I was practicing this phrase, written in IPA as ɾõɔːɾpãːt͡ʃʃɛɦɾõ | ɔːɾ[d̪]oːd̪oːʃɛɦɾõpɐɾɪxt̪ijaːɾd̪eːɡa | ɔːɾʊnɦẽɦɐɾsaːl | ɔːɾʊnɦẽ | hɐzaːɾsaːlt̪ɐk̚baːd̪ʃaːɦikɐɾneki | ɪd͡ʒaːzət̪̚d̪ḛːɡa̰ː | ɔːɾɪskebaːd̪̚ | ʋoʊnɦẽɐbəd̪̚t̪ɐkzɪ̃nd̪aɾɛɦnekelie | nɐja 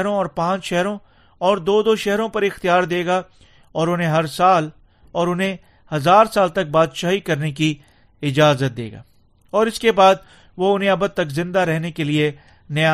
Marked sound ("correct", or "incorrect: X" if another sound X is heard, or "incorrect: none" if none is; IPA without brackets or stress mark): correct